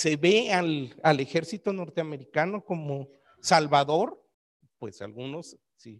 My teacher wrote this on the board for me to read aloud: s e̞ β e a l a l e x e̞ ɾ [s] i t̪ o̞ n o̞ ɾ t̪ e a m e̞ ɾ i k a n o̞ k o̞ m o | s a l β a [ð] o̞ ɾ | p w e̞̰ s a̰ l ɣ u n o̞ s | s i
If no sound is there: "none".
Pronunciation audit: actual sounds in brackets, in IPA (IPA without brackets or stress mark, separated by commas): s, ð